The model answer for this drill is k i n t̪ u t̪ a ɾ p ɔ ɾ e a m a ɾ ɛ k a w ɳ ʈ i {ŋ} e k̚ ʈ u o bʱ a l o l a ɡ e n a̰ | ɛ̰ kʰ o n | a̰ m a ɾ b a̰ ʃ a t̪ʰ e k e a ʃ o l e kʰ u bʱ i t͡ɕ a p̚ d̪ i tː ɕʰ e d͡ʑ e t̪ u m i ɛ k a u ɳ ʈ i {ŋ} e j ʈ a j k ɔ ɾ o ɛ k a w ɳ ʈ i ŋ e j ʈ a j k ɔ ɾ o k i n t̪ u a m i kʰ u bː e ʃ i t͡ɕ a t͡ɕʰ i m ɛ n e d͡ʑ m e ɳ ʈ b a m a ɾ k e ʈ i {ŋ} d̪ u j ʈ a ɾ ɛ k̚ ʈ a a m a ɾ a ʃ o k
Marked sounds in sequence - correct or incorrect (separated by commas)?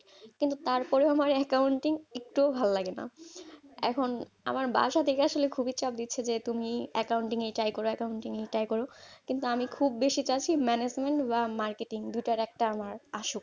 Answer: correct, correct, correct